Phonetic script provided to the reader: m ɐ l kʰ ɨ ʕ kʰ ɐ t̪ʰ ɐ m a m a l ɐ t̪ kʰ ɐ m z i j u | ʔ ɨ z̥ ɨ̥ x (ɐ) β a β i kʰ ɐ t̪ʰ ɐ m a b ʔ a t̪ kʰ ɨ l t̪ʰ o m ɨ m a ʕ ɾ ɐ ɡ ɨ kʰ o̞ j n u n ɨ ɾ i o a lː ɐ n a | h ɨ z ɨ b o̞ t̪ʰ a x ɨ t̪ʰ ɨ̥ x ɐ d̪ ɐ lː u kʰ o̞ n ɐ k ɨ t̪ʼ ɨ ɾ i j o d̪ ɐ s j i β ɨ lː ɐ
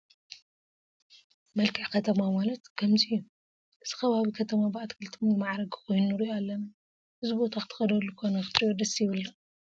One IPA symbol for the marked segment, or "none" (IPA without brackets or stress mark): ɐ